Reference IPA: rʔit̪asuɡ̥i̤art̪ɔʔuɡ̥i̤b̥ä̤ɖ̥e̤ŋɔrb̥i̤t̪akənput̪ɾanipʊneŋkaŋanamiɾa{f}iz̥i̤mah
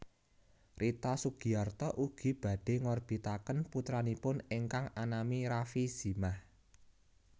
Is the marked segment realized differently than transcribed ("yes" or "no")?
no